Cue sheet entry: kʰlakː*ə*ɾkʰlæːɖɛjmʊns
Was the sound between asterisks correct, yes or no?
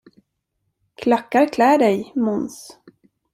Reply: no